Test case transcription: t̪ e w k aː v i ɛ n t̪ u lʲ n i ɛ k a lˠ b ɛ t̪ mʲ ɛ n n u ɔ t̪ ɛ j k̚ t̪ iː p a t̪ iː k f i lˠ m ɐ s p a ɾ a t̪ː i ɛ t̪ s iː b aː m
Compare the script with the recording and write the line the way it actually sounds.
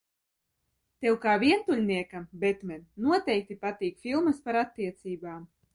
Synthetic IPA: t̪ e w k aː v i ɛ n t̪ u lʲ n i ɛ k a b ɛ t̪ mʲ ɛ n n u ɔ t̪ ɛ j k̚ t̪ i p a t̪ iː k f i lˠ m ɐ s p a ɾ a t̪ː i ɛ t̪ s iː b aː m